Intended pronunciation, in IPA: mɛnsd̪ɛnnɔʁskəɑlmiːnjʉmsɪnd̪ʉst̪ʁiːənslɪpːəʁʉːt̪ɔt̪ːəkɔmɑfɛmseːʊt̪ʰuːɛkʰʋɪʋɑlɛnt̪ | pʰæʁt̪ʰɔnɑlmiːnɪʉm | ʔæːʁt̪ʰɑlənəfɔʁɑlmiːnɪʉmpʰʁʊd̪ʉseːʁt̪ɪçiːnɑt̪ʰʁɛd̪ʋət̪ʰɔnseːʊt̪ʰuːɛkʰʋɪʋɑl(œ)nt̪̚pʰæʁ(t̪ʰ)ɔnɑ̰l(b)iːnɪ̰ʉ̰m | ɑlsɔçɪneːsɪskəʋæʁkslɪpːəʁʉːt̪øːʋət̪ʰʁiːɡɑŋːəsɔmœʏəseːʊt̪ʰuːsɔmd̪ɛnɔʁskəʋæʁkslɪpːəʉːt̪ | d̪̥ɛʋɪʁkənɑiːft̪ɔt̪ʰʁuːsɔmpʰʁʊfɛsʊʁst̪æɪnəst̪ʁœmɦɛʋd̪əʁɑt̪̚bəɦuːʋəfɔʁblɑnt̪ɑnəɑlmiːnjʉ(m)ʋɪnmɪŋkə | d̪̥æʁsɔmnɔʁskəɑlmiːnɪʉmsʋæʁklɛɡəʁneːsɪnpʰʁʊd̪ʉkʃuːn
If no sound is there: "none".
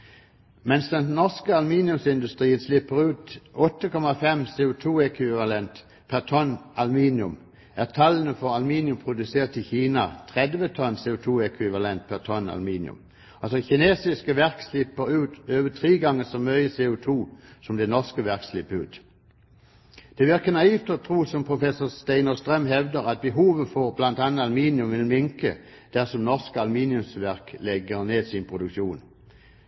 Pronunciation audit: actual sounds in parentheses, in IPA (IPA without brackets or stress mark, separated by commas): ɛ, t̪ʰ, m, m